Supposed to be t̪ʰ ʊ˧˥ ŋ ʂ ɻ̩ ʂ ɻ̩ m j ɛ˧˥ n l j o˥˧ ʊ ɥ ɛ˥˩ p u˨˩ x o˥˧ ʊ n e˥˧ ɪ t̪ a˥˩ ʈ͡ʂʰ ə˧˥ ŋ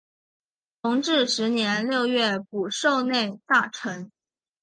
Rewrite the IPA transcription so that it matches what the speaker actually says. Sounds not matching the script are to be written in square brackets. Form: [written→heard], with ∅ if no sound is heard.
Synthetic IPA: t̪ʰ ʊ˧˥ ŋ [ʂ→ʈ͡ʂ] ɻ̩ ʂ ɻ̩ [m→n] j ɛ˧˥ n l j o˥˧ ʊ ɥ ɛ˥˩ p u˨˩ [x→ʂ] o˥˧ ʊ n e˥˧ ɪ t̪ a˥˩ ʈ͡ʂʰ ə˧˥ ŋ